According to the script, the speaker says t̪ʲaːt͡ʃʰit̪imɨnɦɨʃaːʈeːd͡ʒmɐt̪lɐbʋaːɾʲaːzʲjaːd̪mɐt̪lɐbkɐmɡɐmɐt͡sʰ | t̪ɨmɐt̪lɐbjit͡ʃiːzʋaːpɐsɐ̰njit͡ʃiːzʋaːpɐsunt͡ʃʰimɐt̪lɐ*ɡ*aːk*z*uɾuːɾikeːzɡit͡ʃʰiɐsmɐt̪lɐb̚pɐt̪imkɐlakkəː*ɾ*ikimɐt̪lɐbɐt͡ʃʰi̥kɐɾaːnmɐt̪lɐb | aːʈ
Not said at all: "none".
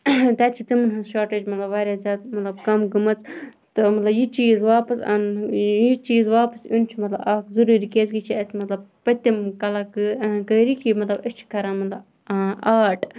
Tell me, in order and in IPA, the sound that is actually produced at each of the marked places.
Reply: b, z, ɾ

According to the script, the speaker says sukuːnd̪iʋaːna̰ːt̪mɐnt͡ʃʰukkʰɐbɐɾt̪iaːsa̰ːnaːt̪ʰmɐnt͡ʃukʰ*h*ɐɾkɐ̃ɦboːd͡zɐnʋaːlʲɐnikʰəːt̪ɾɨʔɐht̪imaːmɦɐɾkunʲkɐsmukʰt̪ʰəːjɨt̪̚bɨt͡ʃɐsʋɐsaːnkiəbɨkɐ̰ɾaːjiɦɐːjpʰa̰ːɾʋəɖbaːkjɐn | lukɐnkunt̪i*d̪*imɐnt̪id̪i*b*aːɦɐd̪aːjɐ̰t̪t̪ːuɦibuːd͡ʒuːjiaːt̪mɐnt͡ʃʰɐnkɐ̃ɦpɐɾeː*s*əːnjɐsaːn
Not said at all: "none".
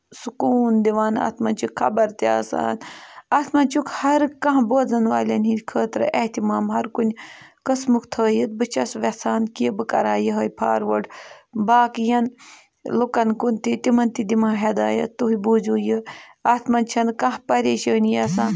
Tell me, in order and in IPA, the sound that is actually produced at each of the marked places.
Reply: h, t̪, m, ʃ

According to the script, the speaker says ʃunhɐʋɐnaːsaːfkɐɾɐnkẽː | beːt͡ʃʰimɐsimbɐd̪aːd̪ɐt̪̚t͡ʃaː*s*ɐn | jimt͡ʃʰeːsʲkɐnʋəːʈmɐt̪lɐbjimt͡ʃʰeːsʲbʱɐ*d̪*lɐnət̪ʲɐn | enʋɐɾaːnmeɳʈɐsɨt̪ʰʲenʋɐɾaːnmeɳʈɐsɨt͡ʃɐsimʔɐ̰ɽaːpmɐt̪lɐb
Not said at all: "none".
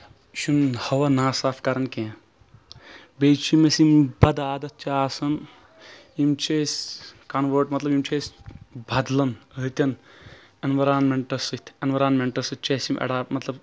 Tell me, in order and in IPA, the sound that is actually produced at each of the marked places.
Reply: s, d̪

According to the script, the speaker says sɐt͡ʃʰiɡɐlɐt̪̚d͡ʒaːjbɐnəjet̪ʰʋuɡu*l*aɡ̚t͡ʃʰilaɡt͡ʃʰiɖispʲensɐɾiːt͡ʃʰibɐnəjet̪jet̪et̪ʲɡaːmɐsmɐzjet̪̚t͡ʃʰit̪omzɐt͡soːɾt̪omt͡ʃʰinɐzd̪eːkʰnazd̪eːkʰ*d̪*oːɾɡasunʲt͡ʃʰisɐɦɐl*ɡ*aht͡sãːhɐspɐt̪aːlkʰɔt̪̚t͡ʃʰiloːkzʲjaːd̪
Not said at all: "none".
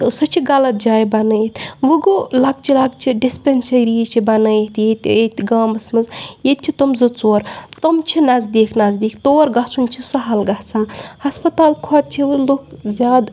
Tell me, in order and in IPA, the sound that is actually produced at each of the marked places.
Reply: l, t̪, ɡ

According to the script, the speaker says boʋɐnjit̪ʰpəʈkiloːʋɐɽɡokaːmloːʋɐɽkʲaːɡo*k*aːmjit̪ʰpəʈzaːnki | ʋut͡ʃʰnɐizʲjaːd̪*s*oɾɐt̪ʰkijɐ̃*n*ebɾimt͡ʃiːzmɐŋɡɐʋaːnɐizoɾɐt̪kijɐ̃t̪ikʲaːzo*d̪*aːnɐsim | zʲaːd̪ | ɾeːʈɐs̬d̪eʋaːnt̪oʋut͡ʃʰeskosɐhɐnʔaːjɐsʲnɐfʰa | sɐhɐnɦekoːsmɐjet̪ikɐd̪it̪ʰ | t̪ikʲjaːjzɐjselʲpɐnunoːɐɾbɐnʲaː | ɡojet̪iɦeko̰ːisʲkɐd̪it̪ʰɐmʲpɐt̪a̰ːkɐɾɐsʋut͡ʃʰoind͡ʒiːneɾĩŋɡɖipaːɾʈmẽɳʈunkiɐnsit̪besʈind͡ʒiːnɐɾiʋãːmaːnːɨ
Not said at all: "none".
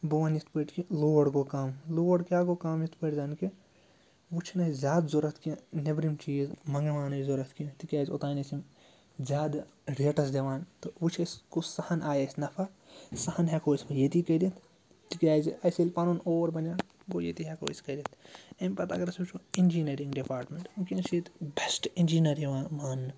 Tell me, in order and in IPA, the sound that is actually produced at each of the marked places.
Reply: k, z, n, t̪

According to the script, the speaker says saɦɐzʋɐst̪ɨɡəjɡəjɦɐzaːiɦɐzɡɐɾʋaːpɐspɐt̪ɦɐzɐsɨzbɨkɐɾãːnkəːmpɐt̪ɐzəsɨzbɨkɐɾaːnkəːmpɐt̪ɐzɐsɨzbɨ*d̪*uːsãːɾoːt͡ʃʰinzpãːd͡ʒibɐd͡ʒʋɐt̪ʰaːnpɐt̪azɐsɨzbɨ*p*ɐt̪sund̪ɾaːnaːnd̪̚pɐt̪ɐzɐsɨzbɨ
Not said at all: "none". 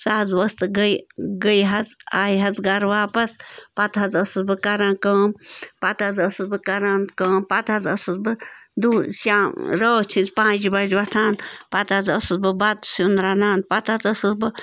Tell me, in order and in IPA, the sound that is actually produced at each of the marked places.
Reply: d̪, b

